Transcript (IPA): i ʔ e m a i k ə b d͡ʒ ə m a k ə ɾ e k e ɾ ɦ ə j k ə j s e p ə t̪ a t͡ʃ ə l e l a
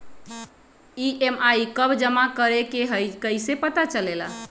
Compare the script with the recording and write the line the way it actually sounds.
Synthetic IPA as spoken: i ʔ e m a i k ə b d͡ʒ ə m a k ə ɾ e k e ɦ ə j k ə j s e p ə t̪ a t͡ʃ ə l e l a

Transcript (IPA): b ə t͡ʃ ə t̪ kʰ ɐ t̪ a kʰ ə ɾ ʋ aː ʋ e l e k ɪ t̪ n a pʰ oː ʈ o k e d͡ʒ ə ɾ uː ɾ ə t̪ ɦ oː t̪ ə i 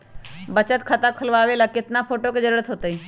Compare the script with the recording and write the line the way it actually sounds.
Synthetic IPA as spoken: b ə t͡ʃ ə t̪ kʰ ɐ t̪ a kʰ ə l ʋ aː ʋ e l a k ɪ t̪ n a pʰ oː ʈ o k e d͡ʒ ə ɾ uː ɾ ə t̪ ɦ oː t̪ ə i

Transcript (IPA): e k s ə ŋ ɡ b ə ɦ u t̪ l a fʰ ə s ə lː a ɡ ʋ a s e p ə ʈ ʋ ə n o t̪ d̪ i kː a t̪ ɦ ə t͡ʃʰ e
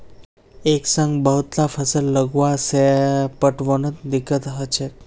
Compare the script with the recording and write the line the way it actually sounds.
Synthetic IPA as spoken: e k s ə ŋ ɡ b ə ɦ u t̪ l a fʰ ə s ə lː ə ɡ ʋ a s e p ə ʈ ʋ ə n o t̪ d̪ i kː ə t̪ ɦ ə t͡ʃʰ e

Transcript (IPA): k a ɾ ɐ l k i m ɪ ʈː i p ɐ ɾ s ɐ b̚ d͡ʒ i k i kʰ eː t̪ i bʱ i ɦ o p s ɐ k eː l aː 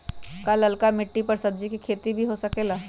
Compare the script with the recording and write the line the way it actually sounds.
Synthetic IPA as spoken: k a l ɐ l k a m ɪ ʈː i p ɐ ɾ s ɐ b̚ d͡ʒ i k i kʰ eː t̪ i bʱ i ɦ o s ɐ k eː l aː

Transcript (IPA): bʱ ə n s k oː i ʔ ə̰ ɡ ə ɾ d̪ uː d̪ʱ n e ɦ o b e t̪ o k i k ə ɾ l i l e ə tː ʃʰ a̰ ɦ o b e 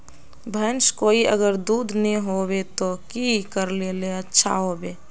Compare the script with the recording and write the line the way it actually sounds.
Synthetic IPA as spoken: bʱ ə n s k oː i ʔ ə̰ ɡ ə ɾ d̪ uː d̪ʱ n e ɦ o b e t̪ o k i k ə ɾ l e l e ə tː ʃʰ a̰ ɦ o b e

